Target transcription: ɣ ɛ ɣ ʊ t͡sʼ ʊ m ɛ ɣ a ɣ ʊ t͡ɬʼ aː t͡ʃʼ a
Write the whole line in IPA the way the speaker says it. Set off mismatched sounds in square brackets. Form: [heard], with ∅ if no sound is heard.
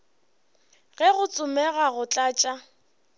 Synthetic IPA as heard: ɣ ɛ ɣ ʊ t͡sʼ ʊ m ɛ ɣ a ɣ ʊ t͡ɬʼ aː t͡ʃʼ a